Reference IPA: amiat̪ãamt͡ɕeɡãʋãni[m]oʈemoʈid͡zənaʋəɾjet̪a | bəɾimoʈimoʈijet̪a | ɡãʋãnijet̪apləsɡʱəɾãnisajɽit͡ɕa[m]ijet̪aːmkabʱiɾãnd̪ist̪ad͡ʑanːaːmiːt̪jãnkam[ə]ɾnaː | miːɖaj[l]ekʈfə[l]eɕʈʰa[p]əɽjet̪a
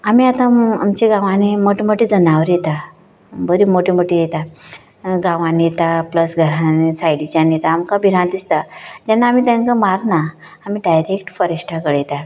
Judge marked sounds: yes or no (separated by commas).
yes, no, no, no, no, no